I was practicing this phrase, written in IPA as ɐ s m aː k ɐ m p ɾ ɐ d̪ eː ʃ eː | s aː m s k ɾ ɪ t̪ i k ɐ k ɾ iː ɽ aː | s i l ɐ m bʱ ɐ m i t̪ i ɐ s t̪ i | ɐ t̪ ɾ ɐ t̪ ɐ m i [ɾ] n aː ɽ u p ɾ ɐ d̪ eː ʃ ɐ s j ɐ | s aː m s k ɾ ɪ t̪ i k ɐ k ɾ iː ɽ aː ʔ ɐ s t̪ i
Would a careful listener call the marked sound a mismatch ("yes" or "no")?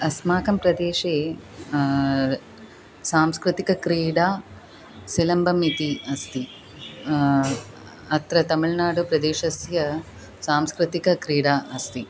yes